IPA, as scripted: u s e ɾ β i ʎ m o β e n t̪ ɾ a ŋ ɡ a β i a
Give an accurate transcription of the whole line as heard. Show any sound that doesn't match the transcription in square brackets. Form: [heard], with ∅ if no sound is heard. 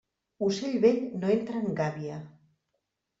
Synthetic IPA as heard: u s e [ʎ] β [e] ʎ [n] o [∅] e n t̪ ɾ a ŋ ɡ a β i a